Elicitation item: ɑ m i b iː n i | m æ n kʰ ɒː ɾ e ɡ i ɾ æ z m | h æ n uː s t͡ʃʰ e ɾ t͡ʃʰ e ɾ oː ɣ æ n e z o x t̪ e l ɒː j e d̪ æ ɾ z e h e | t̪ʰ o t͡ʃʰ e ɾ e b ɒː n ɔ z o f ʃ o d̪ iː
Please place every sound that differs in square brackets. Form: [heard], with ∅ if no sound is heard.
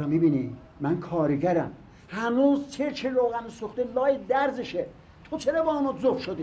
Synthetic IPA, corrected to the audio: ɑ m i b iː n i | m æ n kʰ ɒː ɾ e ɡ [æ] ɾ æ [∅] m | h æ n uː [z] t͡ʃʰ e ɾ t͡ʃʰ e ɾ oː ɣ æ n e [s] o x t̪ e l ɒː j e d̪ æ ɾ z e [ʃ] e | t̪ʰ o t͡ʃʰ e ɾ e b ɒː n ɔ z o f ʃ o d̪ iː